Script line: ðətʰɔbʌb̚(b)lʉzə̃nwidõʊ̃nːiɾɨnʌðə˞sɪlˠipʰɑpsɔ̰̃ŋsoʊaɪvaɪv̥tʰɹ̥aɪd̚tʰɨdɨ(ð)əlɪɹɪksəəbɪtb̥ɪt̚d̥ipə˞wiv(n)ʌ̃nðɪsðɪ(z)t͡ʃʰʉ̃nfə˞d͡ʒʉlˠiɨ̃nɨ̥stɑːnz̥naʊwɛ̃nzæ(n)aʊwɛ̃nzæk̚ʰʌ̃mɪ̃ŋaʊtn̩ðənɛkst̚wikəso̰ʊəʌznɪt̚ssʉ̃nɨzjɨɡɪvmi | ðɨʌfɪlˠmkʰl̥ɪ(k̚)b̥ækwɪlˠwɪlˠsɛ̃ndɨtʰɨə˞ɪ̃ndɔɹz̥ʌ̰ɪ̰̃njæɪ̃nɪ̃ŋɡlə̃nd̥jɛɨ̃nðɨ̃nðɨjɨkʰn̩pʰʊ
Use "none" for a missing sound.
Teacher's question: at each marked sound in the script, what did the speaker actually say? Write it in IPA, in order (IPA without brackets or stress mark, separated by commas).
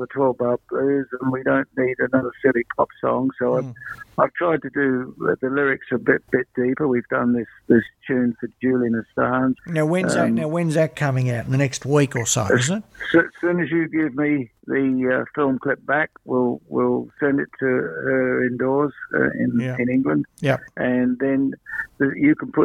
b, ð, d, s, n, p̚